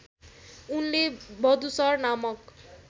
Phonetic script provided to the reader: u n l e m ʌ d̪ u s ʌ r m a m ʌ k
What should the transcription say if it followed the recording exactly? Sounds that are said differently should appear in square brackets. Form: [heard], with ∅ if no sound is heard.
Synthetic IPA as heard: u n l e [b] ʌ d̪ u s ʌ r [n] a m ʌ k